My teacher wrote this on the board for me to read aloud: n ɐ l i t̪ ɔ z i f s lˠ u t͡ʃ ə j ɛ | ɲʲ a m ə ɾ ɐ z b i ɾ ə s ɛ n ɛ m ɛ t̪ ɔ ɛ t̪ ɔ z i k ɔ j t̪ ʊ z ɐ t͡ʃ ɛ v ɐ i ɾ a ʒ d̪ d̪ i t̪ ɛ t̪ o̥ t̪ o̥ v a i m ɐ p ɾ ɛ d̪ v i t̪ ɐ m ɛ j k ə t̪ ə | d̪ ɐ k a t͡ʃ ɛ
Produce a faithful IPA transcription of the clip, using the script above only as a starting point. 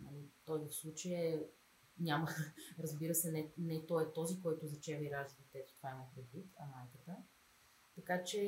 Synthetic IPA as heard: n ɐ l i t̪ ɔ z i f s lˠ u t͡ʃ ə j ɛ | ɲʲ a m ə ɾ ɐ z b i ɾ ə s ɛ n ɛ n ɛ t̪ ɔ ɛ t̪ ɔ z i k ɔ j t̪ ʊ z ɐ t͡ʃ ɛ v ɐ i ɾ a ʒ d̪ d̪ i t̪ ɛ t̪ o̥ t̪ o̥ v a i m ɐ p ɾ ɛ d̪ v i t̪ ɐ m a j k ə t̪ ə | t̪ ɐ k a t͡ʃ ɛ